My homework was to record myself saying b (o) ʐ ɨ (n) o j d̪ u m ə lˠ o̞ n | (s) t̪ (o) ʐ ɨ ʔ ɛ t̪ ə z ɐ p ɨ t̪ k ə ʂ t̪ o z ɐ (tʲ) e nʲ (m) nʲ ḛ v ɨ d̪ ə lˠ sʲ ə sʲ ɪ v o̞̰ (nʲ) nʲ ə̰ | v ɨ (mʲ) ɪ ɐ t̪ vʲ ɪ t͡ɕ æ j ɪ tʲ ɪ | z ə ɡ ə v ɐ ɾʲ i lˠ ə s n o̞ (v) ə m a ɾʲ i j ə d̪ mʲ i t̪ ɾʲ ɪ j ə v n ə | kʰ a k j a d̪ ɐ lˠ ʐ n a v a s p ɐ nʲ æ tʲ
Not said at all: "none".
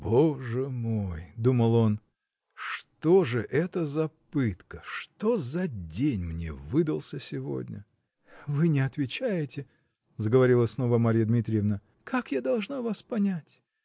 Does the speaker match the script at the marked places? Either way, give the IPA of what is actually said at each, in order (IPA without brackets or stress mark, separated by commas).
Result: o, m, ʂ, o, dʲ, m, dʲ, nʲ, v